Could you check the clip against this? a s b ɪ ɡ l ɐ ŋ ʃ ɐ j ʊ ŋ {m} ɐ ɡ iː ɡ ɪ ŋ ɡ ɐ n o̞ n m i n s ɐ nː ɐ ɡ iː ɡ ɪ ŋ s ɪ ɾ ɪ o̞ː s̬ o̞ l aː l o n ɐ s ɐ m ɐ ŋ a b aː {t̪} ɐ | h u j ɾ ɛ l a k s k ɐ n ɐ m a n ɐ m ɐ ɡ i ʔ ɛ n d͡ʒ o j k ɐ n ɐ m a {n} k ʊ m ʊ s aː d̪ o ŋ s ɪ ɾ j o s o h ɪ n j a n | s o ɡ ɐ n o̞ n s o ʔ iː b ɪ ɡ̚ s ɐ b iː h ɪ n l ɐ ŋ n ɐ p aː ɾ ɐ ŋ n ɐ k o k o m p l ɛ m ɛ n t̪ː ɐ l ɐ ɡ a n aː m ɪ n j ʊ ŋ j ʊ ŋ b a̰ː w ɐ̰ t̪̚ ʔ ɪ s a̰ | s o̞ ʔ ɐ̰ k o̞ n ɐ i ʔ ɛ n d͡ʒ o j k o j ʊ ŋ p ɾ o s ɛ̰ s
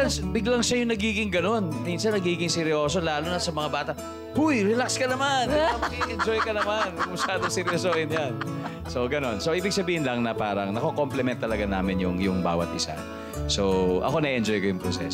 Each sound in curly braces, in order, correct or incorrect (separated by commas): incorrect, correct, correct